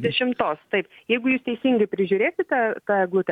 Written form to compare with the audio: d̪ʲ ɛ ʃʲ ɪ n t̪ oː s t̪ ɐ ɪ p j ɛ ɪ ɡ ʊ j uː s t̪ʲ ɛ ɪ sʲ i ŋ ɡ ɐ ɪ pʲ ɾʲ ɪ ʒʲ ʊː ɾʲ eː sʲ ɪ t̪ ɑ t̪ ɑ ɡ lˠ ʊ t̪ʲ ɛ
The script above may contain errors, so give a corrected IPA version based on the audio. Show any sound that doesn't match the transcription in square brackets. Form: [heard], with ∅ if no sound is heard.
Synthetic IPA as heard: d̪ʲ ɛ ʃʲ ɪ [m] t̪ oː s t̪ ɐ ɪ p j ɛ ɪ ɡ ʊ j uː s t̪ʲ ɛ ɪ sʲ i ŋ ɡ ɐ ɪ pʲ ɾʲ ɪ ʒʲ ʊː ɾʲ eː sʲ ɪ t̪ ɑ t̪ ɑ ɡ lˠ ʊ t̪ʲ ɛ